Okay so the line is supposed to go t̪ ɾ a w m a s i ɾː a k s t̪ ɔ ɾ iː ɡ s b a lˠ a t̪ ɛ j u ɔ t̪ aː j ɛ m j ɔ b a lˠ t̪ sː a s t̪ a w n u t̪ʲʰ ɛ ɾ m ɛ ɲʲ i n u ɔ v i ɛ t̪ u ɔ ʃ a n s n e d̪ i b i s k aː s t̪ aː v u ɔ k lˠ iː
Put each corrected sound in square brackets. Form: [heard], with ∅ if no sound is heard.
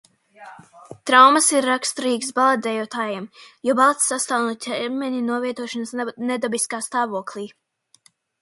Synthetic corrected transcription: t̪ ɾ a w m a s i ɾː a k s t̪ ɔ ɾ iː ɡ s b a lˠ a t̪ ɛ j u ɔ t̪ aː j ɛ m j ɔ b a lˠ t̪ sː a s t̪ a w n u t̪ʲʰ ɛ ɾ m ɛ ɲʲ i n u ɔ v i ɛ t̪ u ɔ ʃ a n s n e d̪ [a] b i s k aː s t̪ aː v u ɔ k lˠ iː